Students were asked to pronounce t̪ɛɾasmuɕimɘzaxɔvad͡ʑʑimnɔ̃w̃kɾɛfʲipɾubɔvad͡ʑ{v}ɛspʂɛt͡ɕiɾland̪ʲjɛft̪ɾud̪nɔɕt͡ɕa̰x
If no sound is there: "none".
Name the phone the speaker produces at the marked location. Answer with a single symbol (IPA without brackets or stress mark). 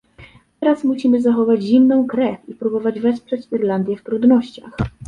v